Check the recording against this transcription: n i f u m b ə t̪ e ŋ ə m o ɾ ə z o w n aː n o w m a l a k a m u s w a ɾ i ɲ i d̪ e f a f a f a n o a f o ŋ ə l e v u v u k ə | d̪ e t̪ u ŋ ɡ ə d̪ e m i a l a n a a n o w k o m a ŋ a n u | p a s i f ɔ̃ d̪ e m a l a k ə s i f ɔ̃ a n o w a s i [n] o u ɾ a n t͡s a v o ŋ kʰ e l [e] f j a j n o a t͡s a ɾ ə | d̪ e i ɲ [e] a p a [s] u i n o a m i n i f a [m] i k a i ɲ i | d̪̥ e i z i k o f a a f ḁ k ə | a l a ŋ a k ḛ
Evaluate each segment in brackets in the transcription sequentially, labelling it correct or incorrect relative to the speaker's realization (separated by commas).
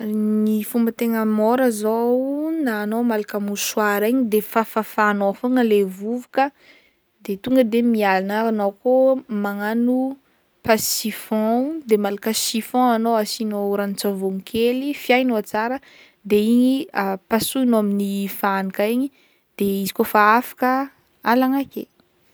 correct, incorrect, incorrect, correct, incorrect